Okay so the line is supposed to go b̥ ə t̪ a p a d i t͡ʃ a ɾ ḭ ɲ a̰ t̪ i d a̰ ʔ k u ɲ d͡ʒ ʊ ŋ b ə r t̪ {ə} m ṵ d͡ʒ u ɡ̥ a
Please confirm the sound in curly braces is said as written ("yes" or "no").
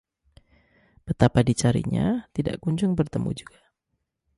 yes